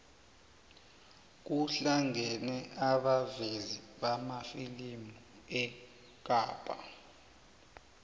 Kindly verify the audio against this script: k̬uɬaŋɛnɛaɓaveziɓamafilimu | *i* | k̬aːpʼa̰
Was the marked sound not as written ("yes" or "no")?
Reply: yes